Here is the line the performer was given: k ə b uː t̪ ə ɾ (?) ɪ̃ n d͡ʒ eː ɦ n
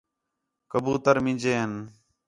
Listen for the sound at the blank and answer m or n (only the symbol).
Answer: m